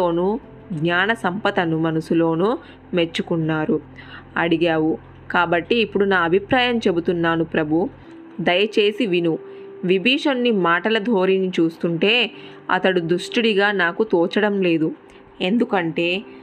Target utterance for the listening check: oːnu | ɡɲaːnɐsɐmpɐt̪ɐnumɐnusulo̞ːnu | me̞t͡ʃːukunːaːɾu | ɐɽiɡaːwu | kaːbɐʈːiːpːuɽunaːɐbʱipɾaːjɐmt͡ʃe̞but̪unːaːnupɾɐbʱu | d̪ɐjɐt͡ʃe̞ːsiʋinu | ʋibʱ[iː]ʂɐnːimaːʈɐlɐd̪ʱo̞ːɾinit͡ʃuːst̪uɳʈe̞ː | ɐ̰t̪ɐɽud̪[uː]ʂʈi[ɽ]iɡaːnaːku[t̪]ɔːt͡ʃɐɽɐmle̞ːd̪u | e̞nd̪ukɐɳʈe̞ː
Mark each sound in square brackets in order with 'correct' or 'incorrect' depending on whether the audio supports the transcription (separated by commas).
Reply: correct, incorrect, correct, correct